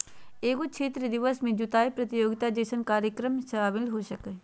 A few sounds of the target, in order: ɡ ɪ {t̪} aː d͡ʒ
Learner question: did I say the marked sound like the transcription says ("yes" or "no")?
yes